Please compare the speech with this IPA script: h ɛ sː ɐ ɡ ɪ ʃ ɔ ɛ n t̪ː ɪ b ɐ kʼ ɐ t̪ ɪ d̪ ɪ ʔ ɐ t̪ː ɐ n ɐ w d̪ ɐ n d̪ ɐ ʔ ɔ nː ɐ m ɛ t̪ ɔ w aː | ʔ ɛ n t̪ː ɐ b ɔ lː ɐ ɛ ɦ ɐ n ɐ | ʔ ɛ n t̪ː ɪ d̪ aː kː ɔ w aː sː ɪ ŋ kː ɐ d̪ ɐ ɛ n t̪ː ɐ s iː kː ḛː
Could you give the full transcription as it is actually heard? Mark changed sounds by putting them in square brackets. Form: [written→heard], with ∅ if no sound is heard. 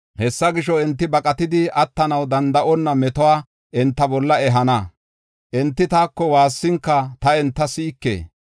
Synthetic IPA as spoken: h ɛ sː ɐ ɡ ɪ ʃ ɔ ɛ n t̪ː ɪ b ɐ kʼ ɐ t̪ ɪ d̪ ɪ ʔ ɐ t̪ː ɐ n ɐ w d̪ ɐ n d̪ ɐ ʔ ɔ nː ɐ m ɛ t̪ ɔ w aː | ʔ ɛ n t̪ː ɐ b ɔ lː ɐ ɛ ɦ ɐ n ɐ | ʔ ɛ n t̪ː ɪ [d̪→t̪] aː kː ɔ w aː sː ɪ ŋ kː ɐ [d̪→t̪] ɐ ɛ n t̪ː ɐ s iː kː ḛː

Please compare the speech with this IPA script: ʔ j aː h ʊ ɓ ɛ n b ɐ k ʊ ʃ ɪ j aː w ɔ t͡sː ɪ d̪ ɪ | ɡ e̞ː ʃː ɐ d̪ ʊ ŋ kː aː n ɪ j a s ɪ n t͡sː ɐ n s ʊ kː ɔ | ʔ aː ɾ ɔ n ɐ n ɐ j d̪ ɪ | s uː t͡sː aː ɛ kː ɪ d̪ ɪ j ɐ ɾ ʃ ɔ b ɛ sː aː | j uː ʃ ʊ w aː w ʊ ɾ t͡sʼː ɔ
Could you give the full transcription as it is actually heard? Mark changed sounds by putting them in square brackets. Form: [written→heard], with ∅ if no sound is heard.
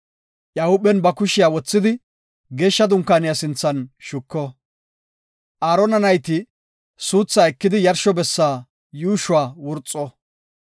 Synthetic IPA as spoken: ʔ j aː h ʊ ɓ ɛ n b ɐ k ʊ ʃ ɪ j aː w ɔ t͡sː ɪ d̪ ɪ | ɡ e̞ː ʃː ɐ d̪ ʊ ŋ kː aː n ɪ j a s ɪ n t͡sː ɐ n [s→ʃ] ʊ kː ɔ | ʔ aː ɾ ɔ n ɐ n ɐ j [d̪→t̪] ɪ | s uː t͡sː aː ɛ kː ɪ d̪ ɪ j ɐ ɾ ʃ ɔ b ɛ sː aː | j uː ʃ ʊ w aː w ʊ ɾ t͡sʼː ɔ

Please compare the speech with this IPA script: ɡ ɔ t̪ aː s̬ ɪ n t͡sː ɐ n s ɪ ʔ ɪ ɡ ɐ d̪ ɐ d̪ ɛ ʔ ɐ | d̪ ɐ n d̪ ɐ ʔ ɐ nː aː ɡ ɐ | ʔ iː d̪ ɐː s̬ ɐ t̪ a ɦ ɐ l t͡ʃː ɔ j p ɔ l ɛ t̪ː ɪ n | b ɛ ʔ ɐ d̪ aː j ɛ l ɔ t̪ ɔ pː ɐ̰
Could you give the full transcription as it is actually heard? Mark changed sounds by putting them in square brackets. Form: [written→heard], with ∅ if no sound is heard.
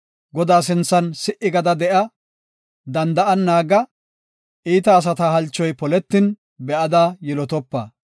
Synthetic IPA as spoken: ɡ ɔ [t̪→d̪] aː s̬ ɪ n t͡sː ɐ n s ɪ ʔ ɪ ɡ ɐ d̪ ɐ d̪ ɛ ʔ ɐ | d̪ ɐ n d̪ ɐ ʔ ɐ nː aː ɡ ɐ | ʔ iː [d̪→t̪] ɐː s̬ ɐ t̪ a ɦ ɐ l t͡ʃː ɔ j p ɔ l ɛ t̪ː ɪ n | b ɛ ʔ ɐ d̪ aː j ɛ l ɔ t̪ ɔ pː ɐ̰

